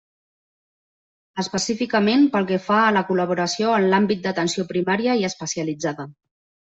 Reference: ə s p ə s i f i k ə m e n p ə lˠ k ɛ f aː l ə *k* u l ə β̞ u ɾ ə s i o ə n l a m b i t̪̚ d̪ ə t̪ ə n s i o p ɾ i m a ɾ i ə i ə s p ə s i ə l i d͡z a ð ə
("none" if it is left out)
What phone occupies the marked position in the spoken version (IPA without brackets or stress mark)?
k